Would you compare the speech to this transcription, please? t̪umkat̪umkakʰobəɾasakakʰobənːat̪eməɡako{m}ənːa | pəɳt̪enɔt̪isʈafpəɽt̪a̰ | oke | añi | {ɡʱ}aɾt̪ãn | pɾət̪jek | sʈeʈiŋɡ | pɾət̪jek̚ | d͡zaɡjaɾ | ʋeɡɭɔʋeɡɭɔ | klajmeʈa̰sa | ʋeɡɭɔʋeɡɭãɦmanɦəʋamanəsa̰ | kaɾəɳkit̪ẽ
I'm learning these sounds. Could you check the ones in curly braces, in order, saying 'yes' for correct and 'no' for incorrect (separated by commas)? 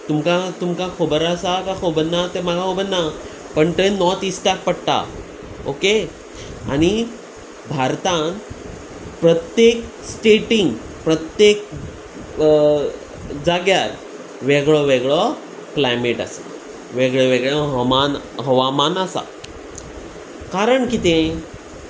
no, no